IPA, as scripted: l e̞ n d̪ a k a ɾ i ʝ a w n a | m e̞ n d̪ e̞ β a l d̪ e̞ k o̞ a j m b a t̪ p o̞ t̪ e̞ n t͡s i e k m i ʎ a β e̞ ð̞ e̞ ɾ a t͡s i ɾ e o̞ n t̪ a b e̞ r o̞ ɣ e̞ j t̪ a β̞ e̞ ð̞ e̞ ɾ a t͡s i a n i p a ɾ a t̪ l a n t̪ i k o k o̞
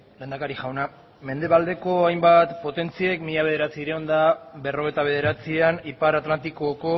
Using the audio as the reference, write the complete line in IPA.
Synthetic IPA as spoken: l e̞ n d̪ a k a ɾ i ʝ a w n a | m e̞ n d̪ e̞ β a l d̪ e̞ k o̞ a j m b a t̪ p o̞ t̪ e̞ n t͡s i e k m i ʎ a β e̞ ð̞ e̞ ɾ a t͡s i ɾ e o̞ n d̪ a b e̞ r o̞ ɣ e̞ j t̪ a β̞ e̞ ð̞ e̞ ɾ a t͡s i a n i p a ɾ a t̪ l a n t̪ i k o k o̞